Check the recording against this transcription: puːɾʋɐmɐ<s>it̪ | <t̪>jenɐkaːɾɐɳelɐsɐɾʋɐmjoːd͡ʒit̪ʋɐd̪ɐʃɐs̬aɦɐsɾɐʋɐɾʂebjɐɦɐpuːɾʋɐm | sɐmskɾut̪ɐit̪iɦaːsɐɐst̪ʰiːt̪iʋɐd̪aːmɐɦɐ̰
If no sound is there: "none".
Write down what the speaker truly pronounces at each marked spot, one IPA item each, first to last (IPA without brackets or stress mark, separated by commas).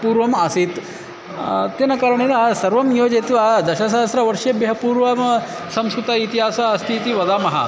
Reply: s, t̪